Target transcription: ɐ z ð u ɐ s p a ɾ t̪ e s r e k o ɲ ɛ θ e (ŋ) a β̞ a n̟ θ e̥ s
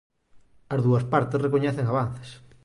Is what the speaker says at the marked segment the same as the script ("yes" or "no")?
yes